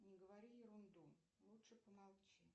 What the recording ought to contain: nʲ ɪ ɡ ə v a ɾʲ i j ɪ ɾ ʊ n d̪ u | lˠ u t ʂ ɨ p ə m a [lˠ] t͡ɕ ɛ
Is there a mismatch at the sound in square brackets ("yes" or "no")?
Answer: no